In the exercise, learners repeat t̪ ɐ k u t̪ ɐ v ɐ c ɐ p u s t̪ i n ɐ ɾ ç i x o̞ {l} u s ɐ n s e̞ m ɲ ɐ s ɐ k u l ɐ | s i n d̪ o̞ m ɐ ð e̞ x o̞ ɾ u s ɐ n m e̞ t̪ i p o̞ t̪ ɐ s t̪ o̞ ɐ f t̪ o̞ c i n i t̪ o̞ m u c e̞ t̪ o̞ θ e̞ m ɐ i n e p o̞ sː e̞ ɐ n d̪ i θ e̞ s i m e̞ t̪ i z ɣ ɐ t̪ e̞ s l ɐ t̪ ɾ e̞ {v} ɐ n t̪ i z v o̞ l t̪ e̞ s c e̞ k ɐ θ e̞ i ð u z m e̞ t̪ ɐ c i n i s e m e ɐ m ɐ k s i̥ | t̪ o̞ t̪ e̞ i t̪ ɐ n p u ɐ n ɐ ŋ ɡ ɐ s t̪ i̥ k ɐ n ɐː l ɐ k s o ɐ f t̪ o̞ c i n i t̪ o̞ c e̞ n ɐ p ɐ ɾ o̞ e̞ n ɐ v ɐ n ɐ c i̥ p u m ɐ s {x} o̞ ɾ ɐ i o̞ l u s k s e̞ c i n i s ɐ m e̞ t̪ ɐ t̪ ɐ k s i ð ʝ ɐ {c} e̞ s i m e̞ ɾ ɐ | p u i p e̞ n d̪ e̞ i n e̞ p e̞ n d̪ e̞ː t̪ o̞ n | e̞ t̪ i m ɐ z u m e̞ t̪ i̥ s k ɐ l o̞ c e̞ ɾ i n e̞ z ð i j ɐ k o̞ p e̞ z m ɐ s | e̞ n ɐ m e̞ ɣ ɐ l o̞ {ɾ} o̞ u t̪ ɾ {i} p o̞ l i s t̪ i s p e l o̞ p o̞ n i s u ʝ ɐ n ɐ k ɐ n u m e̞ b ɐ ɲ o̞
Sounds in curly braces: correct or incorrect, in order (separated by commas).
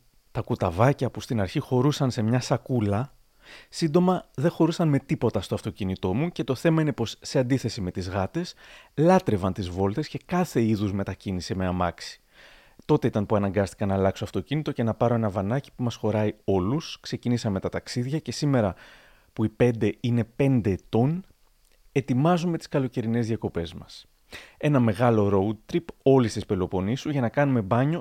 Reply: incorrect, correct, correct, correct, correct, correct